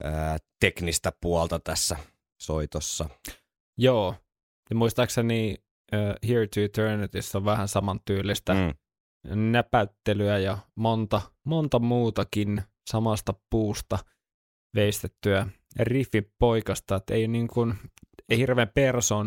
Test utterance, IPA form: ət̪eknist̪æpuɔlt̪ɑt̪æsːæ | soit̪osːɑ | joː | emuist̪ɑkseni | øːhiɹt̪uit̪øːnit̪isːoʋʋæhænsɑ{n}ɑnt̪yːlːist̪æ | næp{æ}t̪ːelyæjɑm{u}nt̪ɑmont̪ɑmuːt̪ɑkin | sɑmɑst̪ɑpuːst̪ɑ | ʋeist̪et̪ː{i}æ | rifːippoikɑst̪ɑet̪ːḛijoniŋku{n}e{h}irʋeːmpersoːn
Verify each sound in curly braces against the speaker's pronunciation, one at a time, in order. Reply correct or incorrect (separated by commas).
incorrect, correct, incorrect, incorrect, correct, correct